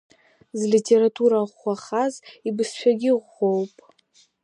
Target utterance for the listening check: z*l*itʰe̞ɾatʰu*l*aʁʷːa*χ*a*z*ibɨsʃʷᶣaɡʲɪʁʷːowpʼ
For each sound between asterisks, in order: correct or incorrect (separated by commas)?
correct, incorrect, correct, correct